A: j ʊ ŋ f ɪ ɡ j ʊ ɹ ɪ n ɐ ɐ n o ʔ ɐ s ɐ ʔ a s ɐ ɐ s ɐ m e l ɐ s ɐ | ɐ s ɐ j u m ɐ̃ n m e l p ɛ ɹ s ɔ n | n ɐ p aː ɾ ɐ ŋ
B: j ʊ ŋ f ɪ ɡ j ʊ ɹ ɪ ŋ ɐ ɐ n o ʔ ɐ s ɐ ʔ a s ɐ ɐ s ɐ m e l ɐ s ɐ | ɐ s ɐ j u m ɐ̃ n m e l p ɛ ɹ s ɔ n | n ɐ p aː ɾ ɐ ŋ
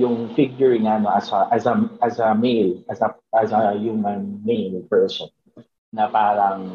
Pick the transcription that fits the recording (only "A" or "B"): B